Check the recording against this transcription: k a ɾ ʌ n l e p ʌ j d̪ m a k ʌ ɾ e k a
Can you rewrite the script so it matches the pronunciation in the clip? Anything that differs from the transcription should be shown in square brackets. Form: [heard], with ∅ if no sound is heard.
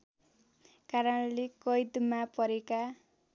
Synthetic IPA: k a ɾ ʌ n l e [k] ʌ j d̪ m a [p] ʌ ɾ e k a